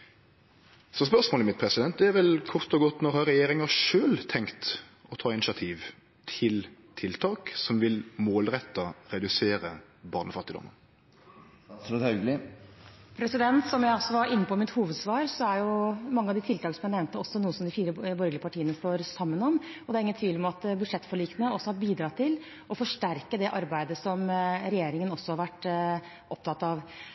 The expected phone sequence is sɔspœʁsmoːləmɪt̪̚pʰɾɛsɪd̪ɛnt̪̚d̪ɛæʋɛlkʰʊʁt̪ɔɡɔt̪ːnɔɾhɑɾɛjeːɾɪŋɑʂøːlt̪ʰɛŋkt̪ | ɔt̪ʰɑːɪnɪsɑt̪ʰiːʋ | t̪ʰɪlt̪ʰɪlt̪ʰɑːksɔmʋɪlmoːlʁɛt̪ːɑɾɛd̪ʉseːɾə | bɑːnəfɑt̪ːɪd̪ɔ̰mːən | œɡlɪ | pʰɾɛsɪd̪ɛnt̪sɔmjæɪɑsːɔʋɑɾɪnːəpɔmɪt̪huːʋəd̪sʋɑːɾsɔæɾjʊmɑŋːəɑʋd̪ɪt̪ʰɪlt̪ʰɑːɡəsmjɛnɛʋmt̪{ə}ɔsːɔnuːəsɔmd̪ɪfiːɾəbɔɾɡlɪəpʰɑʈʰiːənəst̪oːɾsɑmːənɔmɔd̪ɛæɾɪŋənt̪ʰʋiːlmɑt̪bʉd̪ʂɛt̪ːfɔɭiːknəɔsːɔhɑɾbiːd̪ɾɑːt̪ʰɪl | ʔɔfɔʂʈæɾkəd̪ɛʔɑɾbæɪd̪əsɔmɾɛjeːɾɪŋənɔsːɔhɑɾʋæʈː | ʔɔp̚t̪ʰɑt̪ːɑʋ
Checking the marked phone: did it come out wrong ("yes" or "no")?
no